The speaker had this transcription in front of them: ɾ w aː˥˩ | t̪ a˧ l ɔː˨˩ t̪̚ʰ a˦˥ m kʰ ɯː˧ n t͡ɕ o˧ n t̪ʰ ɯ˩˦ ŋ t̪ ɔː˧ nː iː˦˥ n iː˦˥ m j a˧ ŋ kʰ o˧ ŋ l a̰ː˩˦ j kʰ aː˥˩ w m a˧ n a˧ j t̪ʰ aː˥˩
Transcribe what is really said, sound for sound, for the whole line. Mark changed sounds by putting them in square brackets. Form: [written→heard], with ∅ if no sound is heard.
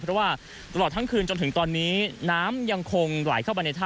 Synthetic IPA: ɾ w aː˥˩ | t̪ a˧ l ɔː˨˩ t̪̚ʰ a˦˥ [m→ŋ] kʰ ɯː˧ n t͡ɕ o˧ n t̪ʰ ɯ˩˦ ŋ t̪ ɔː˧ nː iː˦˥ n [iː˦˥→aː˦˥] m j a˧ ŋ kʰ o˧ ŋ l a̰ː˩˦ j kʰ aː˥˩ w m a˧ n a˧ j t̪ʰ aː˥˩